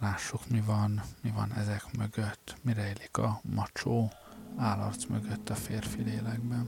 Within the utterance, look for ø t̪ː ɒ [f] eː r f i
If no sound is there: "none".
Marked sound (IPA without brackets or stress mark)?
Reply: f